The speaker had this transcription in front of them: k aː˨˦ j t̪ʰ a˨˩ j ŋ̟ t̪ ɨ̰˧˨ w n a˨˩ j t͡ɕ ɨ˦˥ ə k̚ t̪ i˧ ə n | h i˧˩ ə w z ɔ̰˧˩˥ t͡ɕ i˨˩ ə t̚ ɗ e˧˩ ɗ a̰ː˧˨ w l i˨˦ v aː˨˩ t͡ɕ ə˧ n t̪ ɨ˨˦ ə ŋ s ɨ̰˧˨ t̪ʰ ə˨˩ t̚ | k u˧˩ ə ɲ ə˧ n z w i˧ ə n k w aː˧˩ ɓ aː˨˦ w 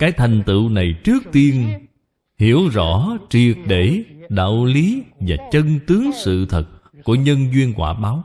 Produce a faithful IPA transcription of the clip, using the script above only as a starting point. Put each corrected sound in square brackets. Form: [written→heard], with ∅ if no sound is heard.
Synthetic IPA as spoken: k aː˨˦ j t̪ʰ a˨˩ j ŋ̟ t̪ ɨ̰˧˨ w n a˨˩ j t͡ɕ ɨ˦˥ ə k̚ t̪ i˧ ə n | h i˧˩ ə w z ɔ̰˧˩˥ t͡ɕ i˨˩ ə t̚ ɗ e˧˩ ɗ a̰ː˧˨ w l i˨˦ v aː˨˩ t͡ɕ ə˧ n t̪ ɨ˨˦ ə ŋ s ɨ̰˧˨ t̪ʰ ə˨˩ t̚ | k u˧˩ ə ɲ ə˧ n z w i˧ ə n k w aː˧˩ ɓ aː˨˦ w